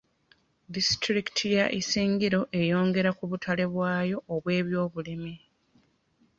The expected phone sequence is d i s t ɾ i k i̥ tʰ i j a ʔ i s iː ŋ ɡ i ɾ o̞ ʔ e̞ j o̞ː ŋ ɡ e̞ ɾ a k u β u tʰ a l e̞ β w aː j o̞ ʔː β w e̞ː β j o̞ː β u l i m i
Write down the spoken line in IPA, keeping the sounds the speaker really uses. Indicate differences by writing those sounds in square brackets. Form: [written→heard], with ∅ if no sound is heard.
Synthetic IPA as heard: d i s t ɾ i k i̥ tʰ i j a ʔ i s iː ŋ ɡ i ɾ o̞ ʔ e̞ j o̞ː ŋ ɡ e̞ ɾ a k u β u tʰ a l e̞ β w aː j o̞ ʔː β w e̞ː β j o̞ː β u l i m i